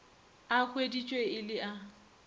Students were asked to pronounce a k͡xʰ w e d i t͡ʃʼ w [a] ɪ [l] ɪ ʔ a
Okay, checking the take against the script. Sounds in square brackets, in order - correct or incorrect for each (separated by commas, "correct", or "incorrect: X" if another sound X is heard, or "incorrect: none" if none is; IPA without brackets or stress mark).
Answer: incorrect: e, correct